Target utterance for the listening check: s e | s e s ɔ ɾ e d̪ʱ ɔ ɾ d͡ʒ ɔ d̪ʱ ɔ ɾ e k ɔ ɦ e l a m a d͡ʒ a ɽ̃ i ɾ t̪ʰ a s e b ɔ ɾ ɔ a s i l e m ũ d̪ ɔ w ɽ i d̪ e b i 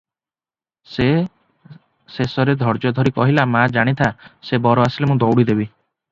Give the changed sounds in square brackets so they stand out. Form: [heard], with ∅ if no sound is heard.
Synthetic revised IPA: s e | s e s ɔ ɾ e d̪ʱ ɔ ɾ d͡ʒ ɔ d̪ʱ ɔ ɾ [i] k ɔ ɦ [i] l a m a d͡ʒ a ɽ̃ i [∅] t̪ʰ a s e b ɔ ɾ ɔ a s i l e m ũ d̪ ɔ w ɽ i d̪ e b i